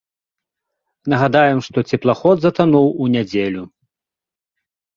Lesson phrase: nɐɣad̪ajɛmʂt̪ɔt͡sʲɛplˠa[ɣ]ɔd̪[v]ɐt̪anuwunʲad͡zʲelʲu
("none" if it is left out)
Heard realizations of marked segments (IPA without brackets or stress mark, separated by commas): x, z